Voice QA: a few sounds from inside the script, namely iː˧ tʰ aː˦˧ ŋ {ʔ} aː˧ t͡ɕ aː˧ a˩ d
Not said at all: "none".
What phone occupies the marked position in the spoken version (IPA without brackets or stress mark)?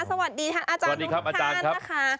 ʔ